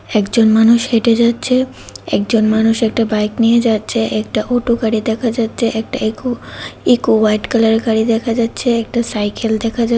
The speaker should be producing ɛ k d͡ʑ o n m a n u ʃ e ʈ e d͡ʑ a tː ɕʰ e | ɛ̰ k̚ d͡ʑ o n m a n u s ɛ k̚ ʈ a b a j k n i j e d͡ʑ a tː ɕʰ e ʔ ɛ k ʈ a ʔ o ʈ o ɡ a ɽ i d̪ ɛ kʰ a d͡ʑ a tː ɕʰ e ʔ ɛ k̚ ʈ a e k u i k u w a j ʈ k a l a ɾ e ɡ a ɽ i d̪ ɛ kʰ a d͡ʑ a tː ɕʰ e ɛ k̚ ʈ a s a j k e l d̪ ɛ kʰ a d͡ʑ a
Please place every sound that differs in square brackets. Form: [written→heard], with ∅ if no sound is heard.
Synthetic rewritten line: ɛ k d͡ʑ o n m a n u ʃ e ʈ e d͡ʑ a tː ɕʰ e | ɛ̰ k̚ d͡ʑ o n m a n u [s→ʃ] ɛ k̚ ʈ a b a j k n i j e d͡ʑ a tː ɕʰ e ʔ ɛ k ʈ a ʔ o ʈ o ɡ a ɽ i d̪ ɛ kʰ a d͡ʑ a tː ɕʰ e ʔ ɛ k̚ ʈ a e k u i k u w a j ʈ k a l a ɾ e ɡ a ɽ i d̪ ɛ kʰ a d͡ʑ a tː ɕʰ e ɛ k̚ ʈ a s a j k e l d̪ ɛ kʰ a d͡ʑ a